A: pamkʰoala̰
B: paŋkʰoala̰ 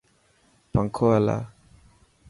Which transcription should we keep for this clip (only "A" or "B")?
B